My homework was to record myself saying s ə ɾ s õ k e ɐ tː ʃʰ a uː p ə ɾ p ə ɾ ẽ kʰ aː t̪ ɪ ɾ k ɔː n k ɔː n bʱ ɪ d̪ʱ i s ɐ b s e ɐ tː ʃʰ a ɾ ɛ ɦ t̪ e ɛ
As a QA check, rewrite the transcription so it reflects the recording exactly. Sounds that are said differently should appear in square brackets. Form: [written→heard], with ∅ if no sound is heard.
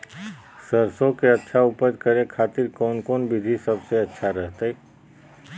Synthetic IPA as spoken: s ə ɾ s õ k e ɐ tː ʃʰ a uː p ə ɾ [p→k] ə ɾ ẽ kʰ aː t̪ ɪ ɾ k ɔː n k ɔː n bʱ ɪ d̪ʱ i s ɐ b s e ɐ tː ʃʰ a ɾ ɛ ɦ t̪ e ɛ

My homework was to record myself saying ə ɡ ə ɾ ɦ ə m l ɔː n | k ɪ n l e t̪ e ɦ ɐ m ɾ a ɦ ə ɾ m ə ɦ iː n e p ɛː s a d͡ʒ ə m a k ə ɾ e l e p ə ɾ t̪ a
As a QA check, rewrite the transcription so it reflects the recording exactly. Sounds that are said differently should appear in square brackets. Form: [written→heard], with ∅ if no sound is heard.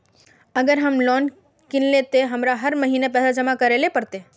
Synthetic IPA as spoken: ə ɡ ə ɾ ɦ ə m l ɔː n | k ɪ n l e t̪ e ɦ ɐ m ɾ a ɦ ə ɾ m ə ɦ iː n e p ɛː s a d͡ʒ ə m a k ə ɾ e l e p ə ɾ t̪ [a→e]

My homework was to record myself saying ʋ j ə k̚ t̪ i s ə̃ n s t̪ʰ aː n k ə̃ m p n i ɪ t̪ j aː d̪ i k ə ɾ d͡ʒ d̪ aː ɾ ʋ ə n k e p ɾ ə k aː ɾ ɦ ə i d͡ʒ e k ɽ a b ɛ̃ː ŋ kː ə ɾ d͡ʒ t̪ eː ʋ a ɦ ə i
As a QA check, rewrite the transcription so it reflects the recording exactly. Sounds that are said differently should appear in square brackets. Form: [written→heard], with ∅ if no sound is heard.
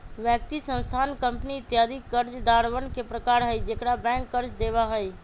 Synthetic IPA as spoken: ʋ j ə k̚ t̪ i s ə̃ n s t̪ʰ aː n k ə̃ m p n i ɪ t̪ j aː d̪ i k ə ɾ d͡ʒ d̪ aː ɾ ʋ ə n k e p ɾ ə k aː ɾ ɦ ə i d͡ʒ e k ɽ a b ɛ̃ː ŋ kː ə ɾ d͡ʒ [t̪→d̪] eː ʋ a ɦ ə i

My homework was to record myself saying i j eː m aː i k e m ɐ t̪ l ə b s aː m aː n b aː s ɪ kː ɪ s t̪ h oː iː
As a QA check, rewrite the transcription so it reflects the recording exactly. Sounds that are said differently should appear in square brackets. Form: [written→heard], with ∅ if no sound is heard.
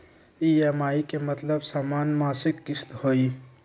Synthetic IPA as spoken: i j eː m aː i k e m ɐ t̪ l ə b s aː m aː n [b→m] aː s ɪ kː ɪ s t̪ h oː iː

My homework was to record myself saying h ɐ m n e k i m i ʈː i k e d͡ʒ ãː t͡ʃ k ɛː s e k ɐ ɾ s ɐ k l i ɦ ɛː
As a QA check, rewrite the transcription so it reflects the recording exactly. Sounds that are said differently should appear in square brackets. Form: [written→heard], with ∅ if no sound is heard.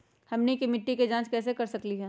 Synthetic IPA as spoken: h ɐ m n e k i m [i→ɪ] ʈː i k e d͡ʒ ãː t͡ʃ k ɛː s e k ɐ ɾ s ɐ k l i ɦ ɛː

